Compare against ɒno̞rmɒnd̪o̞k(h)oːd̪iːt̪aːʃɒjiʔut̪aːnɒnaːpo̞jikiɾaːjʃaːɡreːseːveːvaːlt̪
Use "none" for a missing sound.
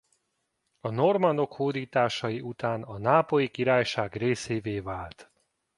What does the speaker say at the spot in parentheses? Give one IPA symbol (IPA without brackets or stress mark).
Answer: h